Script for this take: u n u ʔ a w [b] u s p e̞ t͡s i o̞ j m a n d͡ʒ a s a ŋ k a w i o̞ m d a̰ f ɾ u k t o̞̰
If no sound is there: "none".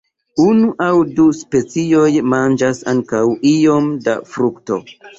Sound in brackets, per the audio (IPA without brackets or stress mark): d